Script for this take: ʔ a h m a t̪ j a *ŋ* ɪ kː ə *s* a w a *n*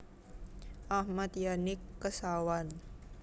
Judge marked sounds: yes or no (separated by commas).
no, yes, yes